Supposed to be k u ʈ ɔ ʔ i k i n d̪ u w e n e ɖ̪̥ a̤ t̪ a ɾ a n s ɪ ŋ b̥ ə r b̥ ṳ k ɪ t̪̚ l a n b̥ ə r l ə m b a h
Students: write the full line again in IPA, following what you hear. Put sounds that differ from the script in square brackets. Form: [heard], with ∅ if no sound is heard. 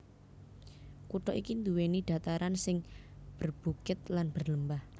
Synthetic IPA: k u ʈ ɔ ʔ i k i n d̪ u w e n [i] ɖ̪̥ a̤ t̪ a ɾ a n s ɪ ŋ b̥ ə r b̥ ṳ k ɪ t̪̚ l a n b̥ ə r l ə m b a h